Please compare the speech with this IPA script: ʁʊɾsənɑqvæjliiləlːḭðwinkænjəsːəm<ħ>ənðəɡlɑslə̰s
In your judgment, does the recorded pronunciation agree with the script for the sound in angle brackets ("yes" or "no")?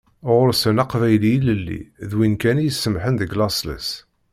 yes